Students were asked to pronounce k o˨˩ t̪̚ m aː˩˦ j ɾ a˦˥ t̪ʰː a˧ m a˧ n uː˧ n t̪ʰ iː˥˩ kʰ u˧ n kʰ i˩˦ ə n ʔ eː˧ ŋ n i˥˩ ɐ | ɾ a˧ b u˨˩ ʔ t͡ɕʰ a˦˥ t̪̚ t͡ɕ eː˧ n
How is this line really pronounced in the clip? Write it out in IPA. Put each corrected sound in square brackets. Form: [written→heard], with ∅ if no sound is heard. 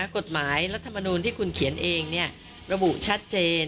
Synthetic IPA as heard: k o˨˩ t̪̚ m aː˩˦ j ɾ a˦˥ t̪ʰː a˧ m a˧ n uː˧ n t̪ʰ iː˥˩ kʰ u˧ n kʰ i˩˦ ə n ʔ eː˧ ŋ n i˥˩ ɐ | ɾ a˧ b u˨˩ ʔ t͡ɕʰ a˦˥ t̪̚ t͡ɕ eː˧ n